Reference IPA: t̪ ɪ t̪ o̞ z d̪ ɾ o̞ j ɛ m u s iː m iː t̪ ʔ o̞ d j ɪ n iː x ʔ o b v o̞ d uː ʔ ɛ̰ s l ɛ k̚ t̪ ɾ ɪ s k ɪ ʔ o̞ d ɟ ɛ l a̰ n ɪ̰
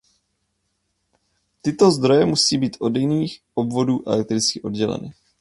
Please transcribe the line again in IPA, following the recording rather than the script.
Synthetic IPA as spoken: t̪ ɪ t̪ o̞ z d̪ ɾ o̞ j ɛ m u s iː b iː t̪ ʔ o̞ d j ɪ n iː x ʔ o b v o̞ d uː ʔ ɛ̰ l ɛ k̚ t̪ ɾ ɪ t͡s k ɪ ʔ o̞ d ɟ ɛ l ɛ̰ n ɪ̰